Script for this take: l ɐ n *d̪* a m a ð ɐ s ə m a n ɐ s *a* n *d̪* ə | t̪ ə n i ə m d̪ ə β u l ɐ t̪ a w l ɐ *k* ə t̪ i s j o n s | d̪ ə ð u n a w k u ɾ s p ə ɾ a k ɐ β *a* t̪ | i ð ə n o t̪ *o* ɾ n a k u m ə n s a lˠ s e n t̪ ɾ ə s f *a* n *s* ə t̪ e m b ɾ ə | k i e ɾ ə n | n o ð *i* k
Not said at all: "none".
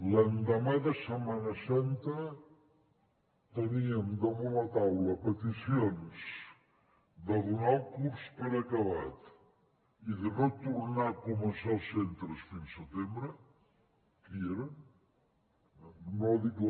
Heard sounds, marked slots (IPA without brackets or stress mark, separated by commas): d̪, a, t̪, p, a, u, i, s, i